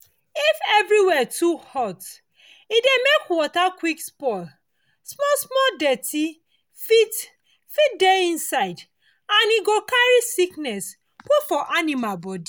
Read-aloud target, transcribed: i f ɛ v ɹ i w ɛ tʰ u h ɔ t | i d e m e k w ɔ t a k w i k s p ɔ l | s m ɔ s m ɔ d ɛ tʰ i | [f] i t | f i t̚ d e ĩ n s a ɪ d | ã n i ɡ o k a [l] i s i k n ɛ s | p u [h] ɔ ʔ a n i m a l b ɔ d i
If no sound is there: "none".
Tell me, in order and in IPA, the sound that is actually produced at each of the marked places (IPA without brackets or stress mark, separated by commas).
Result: f, ɹ, f